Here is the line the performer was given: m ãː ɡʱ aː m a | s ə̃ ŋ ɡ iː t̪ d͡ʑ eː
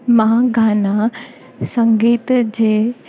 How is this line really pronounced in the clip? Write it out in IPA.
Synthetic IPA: m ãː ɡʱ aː n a | s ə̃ ŋ ɡ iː t̪ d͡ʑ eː